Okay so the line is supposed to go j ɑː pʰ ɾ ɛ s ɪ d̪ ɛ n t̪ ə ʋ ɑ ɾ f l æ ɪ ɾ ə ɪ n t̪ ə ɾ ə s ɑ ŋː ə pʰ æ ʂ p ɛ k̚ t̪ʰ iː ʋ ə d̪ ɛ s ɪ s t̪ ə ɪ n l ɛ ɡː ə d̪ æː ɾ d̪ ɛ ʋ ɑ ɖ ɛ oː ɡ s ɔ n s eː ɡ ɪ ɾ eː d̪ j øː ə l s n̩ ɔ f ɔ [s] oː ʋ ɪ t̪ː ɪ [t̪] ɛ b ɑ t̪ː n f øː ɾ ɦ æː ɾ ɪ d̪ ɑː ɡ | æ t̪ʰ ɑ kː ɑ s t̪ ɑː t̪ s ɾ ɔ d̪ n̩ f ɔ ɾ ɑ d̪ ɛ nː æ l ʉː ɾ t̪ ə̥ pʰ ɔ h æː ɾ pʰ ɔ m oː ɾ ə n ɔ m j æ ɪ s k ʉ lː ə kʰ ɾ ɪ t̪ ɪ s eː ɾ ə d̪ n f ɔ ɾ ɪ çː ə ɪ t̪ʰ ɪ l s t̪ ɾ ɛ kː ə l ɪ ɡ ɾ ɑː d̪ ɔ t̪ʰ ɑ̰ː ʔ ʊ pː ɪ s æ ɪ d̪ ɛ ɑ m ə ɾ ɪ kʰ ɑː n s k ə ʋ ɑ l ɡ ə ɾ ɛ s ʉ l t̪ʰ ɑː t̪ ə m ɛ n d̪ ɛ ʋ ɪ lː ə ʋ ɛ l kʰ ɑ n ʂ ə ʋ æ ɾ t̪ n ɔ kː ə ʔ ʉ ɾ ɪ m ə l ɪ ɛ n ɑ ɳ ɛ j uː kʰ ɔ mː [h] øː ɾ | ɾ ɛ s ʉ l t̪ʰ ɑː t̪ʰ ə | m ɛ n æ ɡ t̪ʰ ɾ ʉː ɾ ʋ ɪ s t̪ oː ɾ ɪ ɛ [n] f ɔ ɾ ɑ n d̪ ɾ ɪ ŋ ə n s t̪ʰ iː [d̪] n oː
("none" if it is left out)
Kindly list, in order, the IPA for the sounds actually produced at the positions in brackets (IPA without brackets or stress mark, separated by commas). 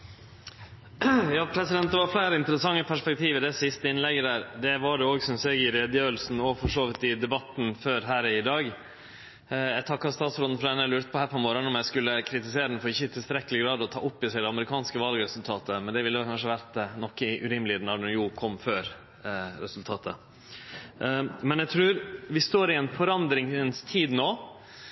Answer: ʂ, d̪, f, n, d̪